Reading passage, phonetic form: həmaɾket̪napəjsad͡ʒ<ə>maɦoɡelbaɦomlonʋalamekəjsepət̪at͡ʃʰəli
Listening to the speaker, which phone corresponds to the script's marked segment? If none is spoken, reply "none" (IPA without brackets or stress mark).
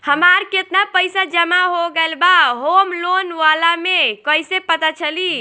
ə